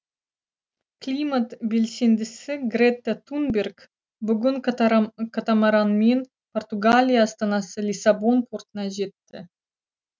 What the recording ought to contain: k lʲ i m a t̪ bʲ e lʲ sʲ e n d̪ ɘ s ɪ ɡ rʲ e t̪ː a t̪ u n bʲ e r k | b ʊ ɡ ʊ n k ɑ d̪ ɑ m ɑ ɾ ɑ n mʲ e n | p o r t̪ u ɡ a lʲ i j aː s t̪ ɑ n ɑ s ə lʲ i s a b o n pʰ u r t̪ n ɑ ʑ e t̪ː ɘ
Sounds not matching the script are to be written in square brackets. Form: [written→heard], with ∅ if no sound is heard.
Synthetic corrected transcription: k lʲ i m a t̪ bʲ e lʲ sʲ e n d̪ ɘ s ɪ ɡ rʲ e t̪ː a t̪ u n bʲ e r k | b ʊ ɡ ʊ n k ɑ [d̪→t̪] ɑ m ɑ ɾ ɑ n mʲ e n | p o r t̪ u ɡ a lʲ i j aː s t̪ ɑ n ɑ s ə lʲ i s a b o n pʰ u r t̪ n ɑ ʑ e t̪ː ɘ